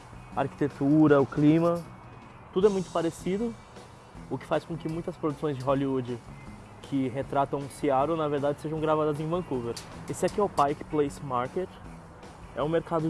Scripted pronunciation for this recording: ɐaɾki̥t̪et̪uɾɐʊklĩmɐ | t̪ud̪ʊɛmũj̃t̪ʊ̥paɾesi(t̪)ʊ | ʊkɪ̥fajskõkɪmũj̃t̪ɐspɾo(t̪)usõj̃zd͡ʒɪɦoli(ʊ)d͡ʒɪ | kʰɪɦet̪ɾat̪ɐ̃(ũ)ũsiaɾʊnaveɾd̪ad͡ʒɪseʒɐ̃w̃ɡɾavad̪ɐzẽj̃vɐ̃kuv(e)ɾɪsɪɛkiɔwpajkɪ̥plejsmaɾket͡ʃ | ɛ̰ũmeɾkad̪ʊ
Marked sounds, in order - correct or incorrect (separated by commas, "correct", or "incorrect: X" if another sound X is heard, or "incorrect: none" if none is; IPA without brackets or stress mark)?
incorrect: d̪, incorrect: d̪, incorrect: u, incorrect: w̃, correct